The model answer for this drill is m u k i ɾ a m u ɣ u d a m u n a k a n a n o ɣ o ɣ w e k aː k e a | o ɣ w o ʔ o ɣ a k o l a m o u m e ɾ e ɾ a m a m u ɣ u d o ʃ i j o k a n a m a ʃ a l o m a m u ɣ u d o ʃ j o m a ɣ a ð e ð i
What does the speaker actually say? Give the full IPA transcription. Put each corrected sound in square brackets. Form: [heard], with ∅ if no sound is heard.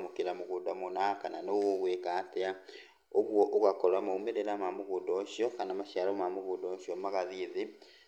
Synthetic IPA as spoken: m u k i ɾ a m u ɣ u d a m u n a k a n a n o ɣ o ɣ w e k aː [t] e a | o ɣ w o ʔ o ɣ a k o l a m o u m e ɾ e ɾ a m a m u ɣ u d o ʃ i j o k a n a m a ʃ a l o m a m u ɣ u d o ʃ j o m a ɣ a ð [i] ð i